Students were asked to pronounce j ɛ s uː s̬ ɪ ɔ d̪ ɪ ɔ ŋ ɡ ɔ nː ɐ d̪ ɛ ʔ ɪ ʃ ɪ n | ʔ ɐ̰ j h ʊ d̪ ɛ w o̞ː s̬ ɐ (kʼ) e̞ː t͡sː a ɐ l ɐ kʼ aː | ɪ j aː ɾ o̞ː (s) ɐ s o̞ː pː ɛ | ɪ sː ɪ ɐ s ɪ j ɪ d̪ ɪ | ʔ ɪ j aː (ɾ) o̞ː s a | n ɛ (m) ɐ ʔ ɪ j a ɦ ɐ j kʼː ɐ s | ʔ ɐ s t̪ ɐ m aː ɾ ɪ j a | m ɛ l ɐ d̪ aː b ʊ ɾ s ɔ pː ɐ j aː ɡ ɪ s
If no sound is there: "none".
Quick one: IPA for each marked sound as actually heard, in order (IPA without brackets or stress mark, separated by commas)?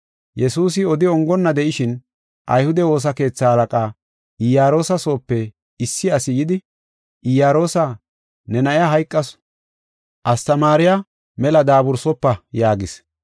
k, s, ɾ, n